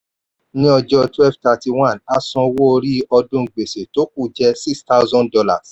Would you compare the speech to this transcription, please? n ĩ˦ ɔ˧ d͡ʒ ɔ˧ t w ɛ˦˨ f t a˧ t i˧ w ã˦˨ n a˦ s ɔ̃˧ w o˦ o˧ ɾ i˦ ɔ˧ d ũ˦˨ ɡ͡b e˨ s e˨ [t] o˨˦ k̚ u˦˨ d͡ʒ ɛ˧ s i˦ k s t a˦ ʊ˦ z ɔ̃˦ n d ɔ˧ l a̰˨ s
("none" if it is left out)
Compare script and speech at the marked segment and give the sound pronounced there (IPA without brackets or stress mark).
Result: t